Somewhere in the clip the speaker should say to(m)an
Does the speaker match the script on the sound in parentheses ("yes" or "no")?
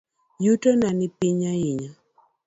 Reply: no